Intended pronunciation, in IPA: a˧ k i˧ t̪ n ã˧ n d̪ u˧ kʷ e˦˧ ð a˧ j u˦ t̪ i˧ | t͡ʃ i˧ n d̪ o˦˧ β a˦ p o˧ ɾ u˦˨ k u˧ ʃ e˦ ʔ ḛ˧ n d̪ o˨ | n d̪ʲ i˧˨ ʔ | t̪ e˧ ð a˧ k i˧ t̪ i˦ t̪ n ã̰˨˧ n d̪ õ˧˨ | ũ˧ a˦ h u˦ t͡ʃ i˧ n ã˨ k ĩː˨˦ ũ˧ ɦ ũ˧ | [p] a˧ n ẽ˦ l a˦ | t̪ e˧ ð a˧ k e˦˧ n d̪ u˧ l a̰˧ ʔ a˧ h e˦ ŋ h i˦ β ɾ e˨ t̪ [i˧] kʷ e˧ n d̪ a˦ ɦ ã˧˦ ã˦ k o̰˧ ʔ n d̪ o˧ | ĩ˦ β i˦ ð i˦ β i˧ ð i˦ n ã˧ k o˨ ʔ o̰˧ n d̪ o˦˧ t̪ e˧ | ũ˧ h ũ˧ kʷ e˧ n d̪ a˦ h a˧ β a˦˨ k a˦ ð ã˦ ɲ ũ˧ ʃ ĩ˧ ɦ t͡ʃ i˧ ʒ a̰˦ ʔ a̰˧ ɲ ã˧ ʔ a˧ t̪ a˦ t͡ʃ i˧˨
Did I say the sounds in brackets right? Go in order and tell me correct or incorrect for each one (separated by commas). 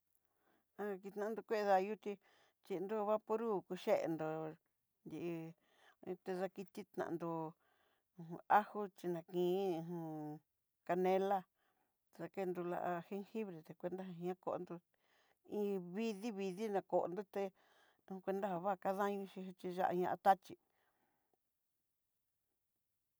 incorrect, incorrect